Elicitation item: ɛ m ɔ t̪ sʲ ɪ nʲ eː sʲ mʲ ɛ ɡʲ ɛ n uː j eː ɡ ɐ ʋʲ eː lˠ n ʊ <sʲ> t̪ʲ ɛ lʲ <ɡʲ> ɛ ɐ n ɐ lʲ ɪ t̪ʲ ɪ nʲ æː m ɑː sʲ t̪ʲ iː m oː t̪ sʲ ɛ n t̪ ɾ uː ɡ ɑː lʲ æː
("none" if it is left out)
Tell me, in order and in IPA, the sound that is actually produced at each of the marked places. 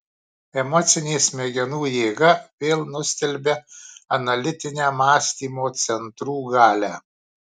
sʲ, bʲ

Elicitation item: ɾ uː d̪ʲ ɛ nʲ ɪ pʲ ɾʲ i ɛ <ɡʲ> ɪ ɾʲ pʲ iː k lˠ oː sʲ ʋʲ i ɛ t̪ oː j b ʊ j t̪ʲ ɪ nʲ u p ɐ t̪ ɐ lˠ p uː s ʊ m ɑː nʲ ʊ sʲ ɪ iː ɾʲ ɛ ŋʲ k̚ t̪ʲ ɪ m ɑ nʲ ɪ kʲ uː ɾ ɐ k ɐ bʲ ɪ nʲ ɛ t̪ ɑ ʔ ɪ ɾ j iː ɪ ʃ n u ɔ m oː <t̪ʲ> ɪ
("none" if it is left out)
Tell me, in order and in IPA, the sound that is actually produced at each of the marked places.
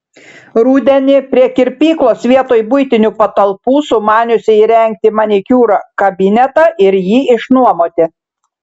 kʲ, t̪ʲ

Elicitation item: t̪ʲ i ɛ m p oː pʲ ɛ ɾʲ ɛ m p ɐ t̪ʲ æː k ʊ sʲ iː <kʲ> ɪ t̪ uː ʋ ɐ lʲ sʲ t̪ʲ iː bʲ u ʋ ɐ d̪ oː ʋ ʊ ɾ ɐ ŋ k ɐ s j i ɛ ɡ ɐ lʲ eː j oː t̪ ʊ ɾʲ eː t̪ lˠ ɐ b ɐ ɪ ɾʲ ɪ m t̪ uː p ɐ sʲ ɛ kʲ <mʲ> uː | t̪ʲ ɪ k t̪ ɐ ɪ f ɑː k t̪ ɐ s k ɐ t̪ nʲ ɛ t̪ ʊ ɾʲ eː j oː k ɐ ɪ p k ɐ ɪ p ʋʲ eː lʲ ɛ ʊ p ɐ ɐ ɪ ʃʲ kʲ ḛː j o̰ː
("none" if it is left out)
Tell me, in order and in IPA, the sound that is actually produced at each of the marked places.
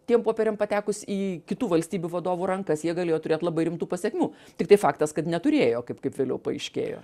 kʲ, mʲ

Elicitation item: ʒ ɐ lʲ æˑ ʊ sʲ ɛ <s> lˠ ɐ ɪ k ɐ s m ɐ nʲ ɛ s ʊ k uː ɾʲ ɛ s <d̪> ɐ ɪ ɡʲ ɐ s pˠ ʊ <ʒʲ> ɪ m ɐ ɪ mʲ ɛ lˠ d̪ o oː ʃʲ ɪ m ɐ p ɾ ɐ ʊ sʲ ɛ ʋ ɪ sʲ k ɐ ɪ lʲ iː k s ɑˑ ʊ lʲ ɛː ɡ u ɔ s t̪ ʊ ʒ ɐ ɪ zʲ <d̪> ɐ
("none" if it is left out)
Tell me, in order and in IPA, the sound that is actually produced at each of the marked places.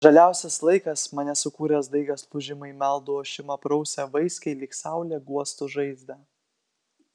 s, d̪, ʒʲ, d̪

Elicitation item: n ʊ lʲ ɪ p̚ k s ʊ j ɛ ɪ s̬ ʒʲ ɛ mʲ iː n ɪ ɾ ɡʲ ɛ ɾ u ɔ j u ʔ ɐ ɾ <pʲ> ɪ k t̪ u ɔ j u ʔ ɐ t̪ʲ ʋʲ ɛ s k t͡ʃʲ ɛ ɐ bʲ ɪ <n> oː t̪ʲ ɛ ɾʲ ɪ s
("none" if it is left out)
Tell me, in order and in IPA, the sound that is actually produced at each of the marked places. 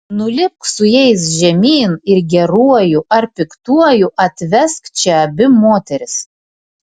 pʲ, m

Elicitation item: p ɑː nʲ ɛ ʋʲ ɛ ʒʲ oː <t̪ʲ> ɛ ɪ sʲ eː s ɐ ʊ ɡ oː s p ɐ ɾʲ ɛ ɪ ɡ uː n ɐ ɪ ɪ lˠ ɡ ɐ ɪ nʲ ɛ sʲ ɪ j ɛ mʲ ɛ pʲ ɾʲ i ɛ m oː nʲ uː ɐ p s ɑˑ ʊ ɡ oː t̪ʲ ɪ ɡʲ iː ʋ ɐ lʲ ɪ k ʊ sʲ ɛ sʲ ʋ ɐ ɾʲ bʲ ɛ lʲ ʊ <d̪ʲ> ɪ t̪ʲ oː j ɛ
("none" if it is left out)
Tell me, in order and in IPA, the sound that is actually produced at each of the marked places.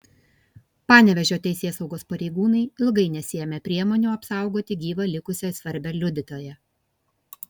t̪ʲ, d̪ʲ

